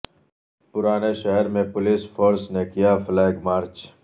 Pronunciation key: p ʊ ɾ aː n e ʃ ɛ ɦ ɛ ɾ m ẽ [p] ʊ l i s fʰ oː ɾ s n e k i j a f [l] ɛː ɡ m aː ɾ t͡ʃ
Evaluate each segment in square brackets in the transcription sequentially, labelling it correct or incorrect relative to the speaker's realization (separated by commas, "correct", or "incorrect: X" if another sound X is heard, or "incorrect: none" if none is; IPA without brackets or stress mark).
correct, correct